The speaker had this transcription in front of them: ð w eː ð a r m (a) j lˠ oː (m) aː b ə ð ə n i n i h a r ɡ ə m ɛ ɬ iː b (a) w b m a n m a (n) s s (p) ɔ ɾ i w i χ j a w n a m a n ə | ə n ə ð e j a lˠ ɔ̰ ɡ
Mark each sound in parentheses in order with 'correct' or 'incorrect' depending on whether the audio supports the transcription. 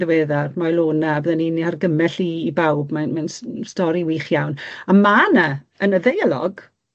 correct, incorrect: n, correct, correct, incorrect: t

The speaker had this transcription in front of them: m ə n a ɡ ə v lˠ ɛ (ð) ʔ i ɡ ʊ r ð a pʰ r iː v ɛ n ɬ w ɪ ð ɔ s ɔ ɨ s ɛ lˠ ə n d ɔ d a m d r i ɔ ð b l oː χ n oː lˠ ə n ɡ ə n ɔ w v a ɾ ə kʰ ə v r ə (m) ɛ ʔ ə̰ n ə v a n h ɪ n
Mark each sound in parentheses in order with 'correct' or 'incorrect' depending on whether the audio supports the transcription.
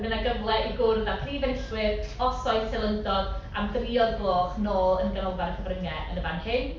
incorrect: none, incorrect: ŋ

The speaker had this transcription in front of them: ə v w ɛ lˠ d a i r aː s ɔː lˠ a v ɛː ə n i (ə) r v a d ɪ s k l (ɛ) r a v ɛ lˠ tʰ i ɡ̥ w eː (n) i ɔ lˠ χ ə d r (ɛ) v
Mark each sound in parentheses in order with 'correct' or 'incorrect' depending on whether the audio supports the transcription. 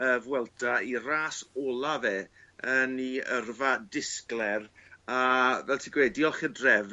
correct, correct, incorrect: d, correct

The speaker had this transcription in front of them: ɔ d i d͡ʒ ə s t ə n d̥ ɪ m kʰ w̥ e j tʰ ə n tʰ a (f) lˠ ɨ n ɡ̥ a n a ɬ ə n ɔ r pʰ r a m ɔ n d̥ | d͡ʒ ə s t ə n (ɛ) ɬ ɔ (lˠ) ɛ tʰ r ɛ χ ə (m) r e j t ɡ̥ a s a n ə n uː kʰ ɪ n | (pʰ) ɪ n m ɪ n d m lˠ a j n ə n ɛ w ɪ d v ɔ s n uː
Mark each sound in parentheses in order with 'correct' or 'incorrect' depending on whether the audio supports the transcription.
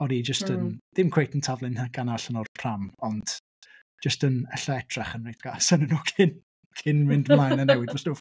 incorrect: v, correct, incorrect: none, incorrect: n, incorrect: kʰ

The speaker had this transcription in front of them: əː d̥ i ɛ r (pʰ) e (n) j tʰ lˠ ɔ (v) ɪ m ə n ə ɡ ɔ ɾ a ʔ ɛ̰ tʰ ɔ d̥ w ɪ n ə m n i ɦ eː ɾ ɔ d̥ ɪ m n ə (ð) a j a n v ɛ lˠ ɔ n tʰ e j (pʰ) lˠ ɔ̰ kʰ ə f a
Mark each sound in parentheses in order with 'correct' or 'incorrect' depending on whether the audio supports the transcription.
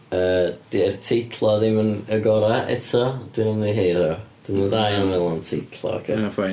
incorrect: tʰ, incorrect: none, incorrect: ð, correct, incorrect: tʰ

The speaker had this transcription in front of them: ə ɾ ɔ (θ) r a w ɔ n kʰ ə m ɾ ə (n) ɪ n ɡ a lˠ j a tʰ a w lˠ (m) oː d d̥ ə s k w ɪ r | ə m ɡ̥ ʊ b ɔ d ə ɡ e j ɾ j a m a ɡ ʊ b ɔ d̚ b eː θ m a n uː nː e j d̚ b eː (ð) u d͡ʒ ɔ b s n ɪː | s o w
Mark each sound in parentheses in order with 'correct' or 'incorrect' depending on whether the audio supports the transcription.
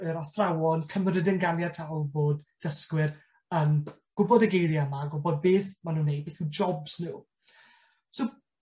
correct, incorrect: d, incorrect: b, incorrect: θ

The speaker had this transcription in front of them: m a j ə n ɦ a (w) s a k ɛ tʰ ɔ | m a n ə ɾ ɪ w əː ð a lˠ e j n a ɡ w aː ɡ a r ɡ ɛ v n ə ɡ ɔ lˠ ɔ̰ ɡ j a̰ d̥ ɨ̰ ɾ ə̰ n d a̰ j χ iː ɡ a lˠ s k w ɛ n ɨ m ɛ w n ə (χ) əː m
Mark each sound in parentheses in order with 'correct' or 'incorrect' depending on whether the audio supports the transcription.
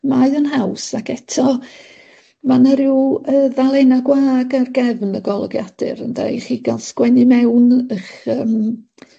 correct, correct

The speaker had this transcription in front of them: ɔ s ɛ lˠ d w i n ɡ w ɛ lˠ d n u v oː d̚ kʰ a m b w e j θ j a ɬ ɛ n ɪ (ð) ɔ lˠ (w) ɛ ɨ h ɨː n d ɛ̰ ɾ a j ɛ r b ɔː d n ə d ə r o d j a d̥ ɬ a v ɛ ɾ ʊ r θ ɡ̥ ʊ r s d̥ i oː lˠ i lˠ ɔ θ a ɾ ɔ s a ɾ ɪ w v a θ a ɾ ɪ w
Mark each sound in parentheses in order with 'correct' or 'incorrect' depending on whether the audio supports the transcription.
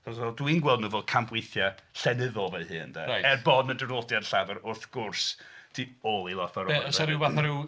correct, incorrect: v

